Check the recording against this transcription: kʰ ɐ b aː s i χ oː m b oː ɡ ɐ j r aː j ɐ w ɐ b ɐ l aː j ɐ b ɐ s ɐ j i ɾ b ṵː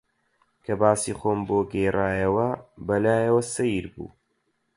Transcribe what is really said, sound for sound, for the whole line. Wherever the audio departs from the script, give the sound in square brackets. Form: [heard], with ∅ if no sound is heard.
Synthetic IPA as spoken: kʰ ɐ b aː s i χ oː m b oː ɡ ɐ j r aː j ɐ w ɐ b ɐ l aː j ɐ [w] ɐ s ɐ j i ɾ b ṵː